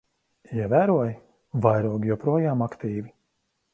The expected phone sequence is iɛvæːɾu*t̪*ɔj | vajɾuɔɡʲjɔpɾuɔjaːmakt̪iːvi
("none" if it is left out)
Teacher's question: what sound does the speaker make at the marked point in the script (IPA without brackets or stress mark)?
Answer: none